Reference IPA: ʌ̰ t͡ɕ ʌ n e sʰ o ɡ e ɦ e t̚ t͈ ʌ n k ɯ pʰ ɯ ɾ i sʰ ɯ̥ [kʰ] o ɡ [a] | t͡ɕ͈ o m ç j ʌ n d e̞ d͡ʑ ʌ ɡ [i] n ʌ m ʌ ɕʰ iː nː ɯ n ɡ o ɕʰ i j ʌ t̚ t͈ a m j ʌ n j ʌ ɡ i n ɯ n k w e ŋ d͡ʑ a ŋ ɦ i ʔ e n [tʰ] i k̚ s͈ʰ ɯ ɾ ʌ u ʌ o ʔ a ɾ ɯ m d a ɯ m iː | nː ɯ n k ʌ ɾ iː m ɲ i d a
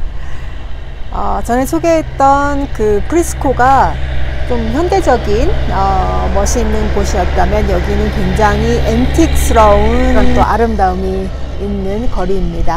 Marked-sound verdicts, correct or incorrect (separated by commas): correct, correct, correct, correct